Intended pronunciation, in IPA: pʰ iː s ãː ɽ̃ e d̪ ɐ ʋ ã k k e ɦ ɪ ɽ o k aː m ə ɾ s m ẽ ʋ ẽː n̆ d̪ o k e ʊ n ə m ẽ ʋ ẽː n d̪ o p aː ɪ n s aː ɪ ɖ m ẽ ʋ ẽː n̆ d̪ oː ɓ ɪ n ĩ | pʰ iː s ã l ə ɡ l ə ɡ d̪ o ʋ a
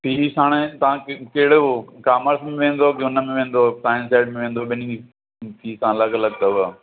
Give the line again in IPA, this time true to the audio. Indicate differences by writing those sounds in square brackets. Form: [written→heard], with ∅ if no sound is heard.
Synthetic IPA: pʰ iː s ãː ɽ̃ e [d̪→t̪] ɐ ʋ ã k k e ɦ ɪ ɽ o k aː m ə ɾ s m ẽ ʋ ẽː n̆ d̪ o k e ʊ n ə m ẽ ʋ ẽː n d̪ o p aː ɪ n s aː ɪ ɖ m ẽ ʋ ẽː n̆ d̪ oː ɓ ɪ n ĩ | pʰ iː s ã l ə ɡ l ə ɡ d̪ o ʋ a